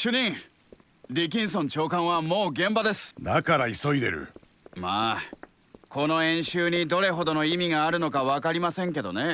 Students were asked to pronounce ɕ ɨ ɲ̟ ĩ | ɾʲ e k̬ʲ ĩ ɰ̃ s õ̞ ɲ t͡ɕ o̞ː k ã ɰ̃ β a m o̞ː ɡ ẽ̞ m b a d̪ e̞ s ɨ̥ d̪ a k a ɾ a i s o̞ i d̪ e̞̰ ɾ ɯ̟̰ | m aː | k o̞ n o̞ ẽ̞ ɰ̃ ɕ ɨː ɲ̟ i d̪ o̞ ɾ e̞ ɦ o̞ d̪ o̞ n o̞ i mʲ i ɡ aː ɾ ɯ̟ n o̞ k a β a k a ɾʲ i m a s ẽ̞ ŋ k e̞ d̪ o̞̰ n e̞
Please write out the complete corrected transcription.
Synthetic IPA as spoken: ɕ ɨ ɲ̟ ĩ | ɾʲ i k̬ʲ ĩ ɰ̃ s õ̞ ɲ t͡ɕ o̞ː k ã ɰ̃ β a m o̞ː ɡ ẽ̞ m b a d̪ e̞ s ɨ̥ d̪ a k a ɾ a i s o̞ i d̪ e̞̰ ɾ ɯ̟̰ | m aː | k o̞ n o̞ ẽ̞ ɰ̃ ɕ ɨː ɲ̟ i d̪ o̞ ɾ e̞ ɦ o̞ d̪ o̞ n o̞ i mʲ i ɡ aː ɾ ɯ̟ n o̞ k a β a k a ɾʲ i m a s ẽ̞ ŋ k e̞ d̪ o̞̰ n e̞